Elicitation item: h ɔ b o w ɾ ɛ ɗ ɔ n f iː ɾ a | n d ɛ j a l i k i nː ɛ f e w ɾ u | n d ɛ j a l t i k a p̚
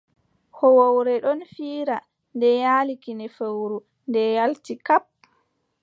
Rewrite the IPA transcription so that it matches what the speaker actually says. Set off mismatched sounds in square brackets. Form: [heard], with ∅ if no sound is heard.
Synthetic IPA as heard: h ɔ [w] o w ɾ ɛ ɗ ɔ n f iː ɾ a | n d ɛ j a l i k i [n] ɛ f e w ɾ u | n d ɛ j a l t i k a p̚

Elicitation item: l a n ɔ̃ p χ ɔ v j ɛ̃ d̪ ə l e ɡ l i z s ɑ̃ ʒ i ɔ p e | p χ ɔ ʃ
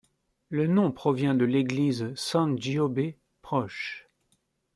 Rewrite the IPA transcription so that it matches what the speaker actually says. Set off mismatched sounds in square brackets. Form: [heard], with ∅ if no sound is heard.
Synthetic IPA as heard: l [ə] n ɔ̃ p χ ɔ v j ɛ̃ d̪ ə l e ɡ l i z s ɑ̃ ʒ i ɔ [b] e | p χ ɔ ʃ

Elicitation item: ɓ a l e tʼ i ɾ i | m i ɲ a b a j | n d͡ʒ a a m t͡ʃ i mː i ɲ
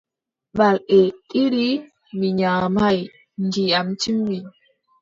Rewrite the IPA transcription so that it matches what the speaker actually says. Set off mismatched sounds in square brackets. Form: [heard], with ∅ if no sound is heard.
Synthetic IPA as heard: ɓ a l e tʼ i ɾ i | m i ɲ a [m] a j | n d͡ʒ [i] a m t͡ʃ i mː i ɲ

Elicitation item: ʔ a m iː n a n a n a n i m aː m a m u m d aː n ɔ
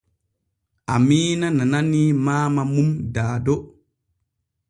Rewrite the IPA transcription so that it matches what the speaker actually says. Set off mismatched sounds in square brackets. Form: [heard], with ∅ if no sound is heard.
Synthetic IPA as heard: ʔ a m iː n a n a n a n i m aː m a m u m d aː [d] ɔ

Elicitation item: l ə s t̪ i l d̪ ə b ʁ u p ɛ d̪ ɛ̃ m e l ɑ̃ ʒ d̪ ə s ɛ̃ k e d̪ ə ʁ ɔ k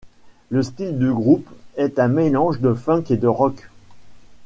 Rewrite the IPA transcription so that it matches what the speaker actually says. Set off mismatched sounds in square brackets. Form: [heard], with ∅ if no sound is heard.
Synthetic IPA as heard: l ə s t̪ i l d̪ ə [ɡ] ʁ u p ɛ [t̪] ɛ̃ m e l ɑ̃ ʒ d̪ ə [f] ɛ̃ k e d̪ ə ʁ ɔ k

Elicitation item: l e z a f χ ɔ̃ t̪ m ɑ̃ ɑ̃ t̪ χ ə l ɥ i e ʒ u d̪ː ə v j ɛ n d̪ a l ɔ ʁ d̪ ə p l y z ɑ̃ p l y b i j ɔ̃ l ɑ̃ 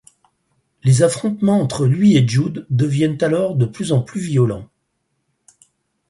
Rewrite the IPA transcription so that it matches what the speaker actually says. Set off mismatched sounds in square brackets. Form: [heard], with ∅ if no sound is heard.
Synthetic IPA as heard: l e z a f χ ɔ̃ t̪ m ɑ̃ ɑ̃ t̪ χ ə l ɥ i e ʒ u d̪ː ə v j ɛ n [t̪] a l ɔ ʁ d̪ ə p l y z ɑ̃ p l y [v] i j [ɔ] l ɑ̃

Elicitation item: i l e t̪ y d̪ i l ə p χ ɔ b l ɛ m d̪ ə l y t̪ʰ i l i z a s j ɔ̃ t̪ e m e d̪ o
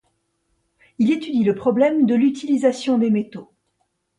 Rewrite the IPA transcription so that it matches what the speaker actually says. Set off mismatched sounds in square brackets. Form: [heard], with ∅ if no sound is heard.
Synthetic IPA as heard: i l e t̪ y d̪ i l ə p χ ɔ b l ɛ m d̪ ə l y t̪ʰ i l i z a s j ɔ̃ [d̪] e m e [t̪] o

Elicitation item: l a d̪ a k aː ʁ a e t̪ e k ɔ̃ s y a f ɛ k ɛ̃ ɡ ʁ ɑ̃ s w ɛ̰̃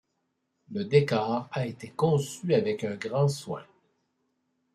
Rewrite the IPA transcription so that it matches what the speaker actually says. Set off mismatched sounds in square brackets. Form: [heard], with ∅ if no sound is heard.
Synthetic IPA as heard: l [ə] d̪ [e] k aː ʁ a e t̪ e k ɔ̃ s y a [v] ɛ k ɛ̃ ɡ ʁ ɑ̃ s w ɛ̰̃

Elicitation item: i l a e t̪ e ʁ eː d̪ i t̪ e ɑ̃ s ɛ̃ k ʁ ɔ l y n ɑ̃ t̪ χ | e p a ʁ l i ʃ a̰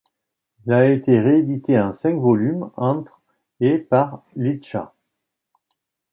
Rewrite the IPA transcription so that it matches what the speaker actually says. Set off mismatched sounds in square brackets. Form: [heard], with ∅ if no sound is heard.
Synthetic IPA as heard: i l a e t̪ e ʁ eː d̪ i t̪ e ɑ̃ s ɛ̃ k [v] ɔ l y [m] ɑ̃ t̪ χ | e p a ʁ l i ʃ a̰

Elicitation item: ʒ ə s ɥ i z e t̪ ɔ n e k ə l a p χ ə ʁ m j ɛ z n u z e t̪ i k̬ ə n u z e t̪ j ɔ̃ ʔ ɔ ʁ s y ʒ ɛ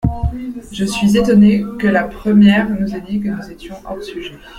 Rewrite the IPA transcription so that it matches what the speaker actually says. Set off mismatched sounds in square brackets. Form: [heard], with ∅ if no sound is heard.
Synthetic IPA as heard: ʒ ə s ɥ i z e t̪ ɔ n e k ə l a p χ ə [∅] m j ɛ [ʁ] n u z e [d̪] i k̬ ə n u z e t̪ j ɔ̃ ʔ ɔ ʁ s y ʒ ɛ

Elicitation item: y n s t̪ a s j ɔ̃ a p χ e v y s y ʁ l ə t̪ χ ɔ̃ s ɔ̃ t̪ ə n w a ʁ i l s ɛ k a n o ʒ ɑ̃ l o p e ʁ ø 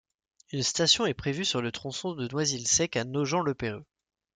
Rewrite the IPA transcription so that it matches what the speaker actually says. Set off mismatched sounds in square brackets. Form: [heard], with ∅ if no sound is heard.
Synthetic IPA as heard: y n s t̪ a s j ɔ̃ [ɛ] p χ e v y s y ʁ l ə t̪ χ ɔ̃ s ɔ̃ [d̪] ə n w a [z] i l s ɛ k a n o ʒ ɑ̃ l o p e ʁ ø

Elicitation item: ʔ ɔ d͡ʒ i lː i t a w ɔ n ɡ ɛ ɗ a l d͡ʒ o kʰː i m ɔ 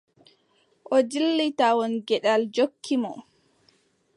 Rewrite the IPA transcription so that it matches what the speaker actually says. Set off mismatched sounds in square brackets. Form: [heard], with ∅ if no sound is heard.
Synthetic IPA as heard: ʔ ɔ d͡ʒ i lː i t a w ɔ n ɡ ɛ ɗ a l d͡ʒ o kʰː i m ɔ

